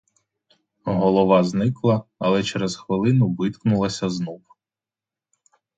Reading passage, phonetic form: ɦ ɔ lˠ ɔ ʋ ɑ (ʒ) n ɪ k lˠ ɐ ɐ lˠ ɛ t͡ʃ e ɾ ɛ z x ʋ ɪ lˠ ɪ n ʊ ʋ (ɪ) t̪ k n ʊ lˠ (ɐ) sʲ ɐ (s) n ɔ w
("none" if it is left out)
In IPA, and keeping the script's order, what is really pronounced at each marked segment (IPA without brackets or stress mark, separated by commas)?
z, ɪ, ɐ, z